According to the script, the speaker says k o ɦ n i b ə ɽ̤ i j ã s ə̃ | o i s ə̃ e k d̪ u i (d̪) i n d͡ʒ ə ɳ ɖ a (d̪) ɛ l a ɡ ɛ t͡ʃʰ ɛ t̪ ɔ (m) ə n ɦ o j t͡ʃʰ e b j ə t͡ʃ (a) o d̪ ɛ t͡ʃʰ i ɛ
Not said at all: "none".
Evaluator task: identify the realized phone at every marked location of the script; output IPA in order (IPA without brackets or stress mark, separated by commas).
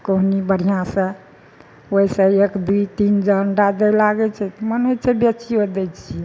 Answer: t̪, d̪, m, i